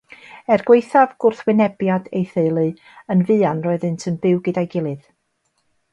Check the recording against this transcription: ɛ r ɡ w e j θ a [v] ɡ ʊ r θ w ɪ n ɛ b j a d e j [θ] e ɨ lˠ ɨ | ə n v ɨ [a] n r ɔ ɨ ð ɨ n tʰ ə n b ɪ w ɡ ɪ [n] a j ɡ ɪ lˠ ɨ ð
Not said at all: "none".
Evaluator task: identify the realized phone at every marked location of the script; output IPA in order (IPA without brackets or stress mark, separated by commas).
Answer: v, θ, a, d